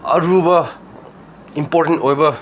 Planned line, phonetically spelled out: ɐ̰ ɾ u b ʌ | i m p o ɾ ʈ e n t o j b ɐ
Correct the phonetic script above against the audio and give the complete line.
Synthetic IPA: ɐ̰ ɾ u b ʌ | i m p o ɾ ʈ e n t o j b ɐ